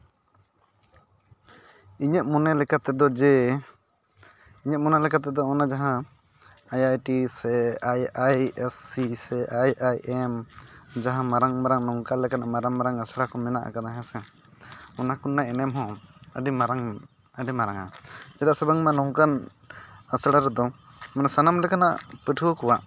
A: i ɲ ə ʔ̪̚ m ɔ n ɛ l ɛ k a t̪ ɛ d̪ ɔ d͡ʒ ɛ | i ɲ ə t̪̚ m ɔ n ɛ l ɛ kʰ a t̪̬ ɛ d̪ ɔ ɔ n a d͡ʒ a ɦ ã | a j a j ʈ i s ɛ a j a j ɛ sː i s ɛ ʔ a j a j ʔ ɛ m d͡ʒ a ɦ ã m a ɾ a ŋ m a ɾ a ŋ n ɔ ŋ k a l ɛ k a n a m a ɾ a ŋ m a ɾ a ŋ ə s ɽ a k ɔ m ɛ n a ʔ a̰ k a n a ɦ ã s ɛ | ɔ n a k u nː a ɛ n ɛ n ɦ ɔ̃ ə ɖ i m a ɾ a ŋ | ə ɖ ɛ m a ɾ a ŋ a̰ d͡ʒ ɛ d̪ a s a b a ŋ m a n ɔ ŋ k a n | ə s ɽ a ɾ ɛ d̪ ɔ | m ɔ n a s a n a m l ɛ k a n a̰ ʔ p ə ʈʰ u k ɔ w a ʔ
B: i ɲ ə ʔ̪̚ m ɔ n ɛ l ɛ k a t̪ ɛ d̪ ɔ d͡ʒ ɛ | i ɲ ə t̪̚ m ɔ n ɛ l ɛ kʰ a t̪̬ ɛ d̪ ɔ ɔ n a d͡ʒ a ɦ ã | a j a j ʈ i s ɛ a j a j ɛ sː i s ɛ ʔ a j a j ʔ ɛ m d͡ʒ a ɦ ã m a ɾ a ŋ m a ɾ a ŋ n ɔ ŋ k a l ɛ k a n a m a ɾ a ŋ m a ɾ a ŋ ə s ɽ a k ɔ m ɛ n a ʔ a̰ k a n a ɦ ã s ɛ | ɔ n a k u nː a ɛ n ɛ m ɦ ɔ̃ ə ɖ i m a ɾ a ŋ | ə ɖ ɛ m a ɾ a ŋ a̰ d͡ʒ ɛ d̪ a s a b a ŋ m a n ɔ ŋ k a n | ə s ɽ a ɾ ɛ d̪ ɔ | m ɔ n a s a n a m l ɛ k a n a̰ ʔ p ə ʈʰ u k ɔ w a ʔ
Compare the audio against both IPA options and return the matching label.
B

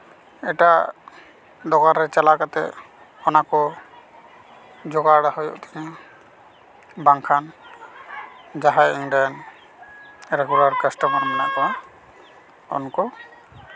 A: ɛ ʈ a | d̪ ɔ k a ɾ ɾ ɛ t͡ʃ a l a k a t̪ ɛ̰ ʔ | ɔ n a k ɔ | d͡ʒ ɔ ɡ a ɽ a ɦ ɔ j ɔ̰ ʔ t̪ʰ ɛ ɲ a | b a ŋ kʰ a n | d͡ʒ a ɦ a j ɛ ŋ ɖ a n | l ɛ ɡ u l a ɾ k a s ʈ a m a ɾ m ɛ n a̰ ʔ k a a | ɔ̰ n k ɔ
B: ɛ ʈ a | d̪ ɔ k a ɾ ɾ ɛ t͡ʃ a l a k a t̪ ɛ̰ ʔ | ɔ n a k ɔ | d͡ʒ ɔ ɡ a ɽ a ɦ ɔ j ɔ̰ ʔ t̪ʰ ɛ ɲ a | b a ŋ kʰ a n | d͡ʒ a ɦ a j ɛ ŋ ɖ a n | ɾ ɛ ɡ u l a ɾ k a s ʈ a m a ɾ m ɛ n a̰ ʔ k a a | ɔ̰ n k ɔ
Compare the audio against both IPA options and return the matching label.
B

